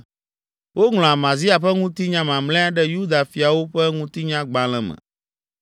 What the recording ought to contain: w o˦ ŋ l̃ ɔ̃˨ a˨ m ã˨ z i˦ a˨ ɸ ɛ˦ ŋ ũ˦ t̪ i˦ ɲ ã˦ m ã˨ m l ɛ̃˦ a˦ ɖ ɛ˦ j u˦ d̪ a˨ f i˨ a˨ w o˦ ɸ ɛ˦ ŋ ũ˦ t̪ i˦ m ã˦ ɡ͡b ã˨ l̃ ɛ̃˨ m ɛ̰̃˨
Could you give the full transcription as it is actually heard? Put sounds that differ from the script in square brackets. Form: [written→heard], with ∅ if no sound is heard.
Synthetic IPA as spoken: w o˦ ŋ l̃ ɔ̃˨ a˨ m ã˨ z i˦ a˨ ɸ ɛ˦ ŋ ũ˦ t̪ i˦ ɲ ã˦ m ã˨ m l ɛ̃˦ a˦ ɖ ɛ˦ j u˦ d̪ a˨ f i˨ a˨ w o˦ ɸ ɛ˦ ŋ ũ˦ t̪ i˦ [m→ɲ] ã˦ ɡ͡b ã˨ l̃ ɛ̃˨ m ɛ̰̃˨

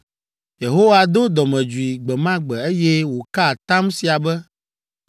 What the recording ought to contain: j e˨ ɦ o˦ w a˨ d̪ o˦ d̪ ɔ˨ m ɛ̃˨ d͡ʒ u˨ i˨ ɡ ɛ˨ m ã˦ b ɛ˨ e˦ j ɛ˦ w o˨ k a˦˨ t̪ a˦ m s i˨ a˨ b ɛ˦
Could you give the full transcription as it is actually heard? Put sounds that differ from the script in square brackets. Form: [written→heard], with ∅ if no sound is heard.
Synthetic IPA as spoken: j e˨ ɦ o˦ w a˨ d̪ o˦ d̪ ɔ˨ m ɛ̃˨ d͡ʒ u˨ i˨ [ɡ→ɡ͡b] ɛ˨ m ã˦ [b→ɡ͡b] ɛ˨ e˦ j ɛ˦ w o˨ k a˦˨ t̪ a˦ m s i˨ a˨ b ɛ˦

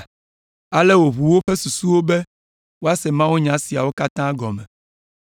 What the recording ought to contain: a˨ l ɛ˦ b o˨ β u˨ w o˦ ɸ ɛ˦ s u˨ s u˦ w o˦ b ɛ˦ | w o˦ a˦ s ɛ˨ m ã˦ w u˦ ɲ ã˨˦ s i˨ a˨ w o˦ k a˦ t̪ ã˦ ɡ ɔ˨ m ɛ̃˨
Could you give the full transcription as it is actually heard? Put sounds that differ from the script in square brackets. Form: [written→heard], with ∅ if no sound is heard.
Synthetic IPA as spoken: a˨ l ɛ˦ [b→w] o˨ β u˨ w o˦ ɸ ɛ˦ s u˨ s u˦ w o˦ b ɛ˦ | w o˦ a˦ s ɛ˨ m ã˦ w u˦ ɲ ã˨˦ s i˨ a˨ w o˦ k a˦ t̪ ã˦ ɡ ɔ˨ m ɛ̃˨

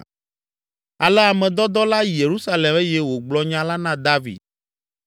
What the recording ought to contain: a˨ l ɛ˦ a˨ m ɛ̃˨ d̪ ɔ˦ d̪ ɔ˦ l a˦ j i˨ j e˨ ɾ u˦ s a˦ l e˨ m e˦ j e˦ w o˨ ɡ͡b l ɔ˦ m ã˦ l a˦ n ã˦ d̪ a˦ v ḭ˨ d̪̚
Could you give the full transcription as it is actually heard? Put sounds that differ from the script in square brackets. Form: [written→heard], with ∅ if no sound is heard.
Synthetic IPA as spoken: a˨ l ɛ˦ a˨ m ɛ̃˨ d̪ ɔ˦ d̪ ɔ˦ l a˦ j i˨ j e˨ ɾ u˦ s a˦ l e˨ m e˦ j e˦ w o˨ ɡ͡b l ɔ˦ [m→ɲ] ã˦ l a˦ n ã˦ d̪ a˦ v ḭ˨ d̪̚

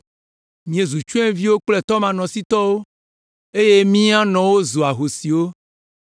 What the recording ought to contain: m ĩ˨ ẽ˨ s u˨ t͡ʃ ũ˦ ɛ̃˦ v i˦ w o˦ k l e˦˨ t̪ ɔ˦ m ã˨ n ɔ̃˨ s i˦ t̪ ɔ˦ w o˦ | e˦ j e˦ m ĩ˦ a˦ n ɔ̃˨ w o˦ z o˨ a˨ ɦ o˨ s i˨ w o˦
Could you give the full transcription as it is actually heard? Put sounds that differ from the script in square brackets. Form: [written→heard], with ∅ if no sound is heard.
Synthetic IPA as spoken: m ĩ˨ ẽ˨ [s→z] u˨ t͡ʃ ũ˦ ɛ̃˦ v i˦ w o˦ [k→k͡p] l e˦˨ t̪ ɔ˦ m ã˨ n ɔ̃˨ s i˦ t̪ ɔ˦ w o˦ | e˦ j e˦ m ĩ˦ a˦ n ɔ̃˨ w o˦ z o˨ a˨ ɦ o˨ s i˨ w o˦

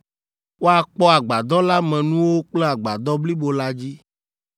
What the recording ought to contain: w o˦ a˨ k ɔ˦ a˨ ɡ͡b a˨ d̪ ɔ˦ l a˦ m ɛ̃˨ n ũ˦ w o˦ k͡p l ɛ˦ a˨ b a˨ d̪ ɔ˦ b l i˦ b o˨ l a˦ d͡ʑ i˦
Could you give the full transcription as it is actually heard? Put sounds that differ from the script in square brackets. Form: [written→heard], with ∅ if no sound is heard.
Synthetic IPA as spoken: w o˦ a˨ [k→k͡p] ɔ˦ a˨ ɡ͡b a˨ d̪ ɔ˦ l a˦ m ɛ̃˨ n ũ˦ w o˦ k͡p l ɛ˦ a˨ [b→ɡ͡b] a˨ d̪ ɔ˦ b l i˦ b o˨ l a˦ d͡ʑ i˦

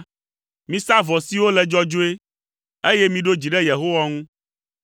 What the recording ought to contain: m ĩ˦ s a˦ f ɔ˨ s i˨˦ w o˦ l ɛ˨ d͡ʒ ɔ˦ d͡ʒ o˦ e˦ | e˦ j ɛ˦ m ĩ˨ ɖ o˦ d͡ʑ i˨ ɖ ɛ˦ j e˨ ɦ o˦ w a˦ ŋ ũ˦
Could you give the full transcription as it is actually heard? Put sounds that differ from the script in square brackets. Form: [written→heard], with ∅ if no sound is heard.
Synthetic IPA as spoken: m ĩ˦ s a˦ [f→v] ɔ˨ s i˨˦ w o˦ l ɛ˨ d͡ʒ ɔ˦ d͡ʒ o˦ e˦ | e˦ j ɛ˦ m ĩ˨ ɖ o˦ d͡ʑ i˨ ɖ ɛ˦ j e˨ ɦ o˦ w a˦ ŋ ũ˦

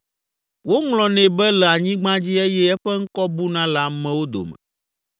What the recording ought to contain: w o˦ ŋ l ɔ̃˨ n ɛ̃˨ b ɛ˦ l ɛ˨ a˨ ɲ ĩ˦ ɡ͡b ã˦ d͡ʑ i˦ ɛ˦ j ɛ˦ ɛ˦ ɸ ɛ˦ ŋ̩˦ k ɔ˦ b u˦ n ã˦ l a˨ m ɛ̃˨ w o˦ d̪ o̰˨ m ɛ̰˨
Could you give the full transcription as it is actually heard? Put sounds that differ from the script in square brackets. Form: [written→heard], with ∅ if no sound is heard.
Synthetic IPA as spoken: w o˦ ŋ l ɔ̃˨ n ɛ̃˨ b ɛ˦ l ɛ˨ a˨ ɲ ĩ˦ ɡ͡b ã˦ d͡ʑ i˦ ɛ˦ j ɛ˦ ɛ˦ ɸ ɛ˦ ŋ̩˦ k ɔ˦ b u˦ n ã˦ l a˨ m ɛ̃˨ w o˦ d̪ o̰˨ m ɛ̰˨

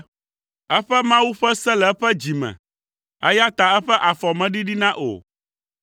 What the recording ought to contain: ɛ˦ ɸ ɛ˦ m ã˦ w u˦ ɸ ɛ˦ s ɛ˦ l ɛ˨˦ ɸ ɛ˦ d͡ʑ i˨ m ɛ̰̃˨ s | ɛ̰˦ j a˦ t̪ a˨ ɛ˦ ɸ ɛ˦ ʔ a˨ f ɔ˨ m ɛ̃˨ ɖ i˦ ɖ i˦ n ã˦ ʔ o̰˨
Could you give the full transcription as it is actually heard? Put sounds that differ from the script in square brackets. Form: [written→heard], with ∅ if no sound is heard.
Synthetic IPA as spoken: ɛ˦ ɸ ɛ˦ m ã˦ w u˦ ɸ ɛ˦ s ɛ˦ l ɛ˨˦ ɸ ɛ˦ d͡ʑ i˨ m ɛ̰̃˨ [s→∅] | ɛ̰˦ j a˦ t̪ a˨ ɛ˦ ɸ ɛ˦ ʔ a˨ f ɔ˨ m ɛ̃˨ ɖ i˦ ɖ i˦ n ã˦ ʔ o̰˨

